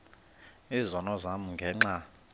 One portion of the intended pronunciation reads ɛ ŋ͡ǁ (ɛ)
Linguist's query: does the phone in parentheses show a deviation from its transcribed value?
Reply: yes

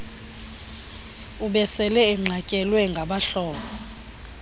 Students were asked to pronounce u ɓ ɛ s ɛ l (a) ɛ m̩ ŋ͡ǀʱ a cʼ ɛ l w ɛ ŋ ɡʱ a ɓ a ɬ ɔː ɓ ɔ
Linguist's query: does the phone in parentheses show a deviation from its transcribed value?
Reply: yes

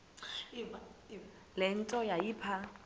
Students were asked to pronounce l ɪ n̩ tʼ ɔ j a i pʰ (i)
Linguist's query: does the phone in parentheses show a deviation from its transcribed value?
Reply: yes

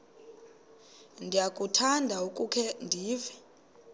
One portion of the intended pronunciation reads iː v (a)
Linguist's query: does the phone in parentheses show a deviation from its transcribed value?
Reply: yes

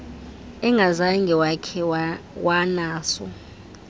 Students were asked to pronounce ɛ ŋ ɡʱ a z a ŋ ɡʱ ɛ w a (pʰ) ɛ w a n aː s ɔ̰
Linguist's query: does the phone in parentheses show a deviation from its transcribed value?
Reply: yes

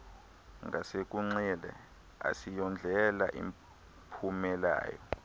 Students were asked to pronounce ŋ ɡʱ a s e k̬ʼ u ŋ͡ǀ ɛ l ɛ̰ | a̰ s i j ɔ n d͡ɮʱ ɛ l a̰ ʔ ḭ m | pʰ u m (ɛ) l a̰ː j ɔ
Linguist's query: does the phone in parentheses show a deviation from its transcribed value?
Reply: no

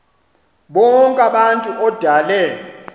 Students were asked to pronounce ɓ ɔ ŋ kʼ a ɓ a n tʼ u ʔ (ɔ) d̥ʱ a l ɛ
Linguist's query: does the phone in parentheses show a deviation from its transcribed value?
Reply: no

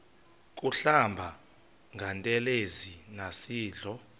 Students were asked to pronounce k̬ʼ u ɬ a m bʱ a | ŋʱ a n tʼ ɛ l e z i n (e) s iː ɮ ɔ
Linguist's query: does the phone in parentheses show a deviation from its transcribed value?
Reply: yes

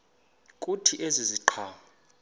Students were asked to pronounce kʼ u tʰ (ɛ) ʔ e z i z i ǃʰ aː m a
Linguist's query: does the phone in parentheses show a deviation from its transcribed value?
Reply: yes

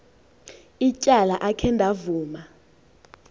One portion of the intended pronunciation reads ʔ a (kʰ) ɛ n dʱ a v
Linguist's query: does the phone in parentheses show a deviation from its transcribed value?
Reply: no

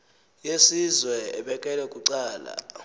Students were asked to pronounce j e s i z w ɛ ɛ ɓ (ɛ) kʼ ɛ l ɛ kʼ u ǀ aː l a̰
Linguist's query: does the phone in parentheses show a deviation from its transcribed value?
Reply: no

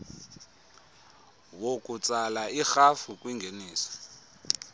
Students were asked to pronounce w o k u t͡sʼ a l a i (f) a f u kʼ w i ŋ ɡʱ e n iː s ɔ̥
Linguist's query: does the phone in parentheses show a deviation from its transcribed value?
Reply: yes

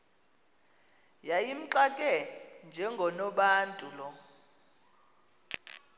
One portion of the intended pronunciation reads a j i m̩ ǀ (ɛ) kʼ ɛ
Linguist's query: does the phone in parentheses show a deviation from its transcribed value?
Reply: yes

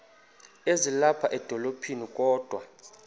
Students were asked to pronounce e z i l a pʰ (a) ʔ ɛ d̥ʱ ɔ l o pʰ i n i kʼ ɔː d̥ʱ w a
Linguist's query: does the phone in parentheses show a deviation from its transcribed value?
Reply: no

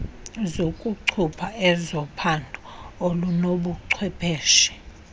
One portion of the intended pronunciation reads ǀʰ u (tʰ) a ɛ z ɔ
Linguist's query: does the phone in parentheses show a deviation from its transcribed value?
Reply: yes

